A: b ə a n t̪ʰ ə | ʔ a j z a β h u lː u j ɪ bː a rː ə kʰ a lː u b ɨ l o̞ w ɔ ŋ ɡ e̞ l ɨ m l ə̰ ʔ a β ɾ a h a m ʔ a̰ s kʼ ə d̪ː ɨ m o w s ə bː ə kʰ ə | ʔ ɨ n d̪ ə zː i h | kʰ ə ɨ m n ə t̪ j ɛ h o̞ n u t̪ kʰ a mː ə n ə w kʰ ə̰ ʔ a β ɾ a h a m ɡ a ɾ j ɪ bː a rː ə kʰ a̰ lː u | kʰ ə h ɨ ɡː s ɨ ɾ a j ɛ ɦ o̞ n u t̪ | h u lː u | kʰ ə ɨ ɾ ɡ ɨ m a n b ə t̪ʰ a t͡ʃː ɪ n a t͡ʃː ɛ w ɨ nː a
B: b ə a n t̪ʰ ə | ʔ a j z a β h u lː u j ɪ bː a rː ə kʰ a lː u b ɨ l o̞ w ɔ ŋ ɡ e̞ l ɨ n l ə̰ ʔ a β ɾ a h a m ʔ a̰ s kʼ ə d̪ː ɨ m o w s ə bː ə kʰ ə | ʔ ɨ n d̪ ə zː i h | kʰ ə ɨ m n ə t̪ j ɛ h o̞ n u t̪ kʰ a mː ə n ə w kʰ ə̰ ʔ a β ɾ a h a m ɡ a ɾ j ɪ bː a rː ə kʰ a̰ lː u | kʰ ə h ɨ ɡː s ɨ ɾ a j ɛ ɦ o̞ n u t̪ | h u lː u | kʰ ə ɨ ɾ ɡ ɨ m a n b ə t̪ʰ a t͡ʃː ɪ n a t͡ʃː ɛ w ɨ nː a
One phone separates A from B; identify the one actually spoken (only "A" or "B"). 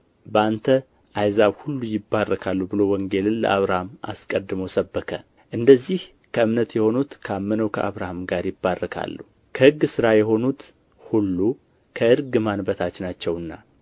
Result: B